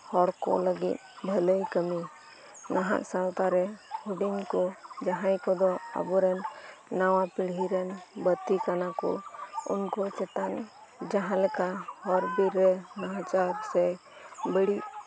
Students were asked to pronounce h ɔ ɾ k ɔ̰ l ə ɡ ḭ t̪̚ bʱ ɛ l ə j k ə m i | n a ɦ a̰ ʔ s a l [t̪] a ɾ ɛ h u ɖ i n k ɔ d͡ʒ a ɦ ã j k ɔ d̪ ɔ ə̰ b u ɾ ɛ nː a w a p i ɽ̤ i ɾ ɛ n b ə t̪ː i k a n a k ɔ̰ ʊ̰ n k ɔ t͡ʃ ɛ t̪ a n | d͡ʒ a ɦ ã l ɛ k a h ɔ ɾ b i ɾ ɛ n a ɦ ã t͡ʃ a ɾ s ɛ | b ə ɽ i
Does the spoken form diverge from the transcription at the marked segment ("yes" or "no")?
no